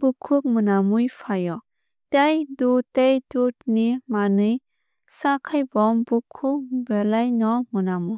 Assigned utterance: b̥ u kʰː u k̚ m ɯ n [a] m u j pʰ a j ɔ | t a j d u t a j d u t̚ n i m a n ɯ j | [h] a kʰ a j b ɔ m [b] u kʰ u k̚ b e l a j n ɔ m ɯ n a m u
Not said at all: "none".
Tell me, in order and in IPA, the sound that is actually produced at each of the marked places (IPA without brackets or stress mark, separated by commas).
a, s, b